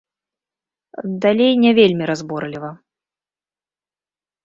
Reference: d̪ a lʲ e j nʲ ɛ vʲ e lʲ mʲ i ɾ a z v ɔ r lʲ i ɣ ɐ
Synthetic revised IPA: d̪ a lʲ e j nʲ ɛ vʲ e lʲ mʲ i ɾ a z b ɔ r lʲ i v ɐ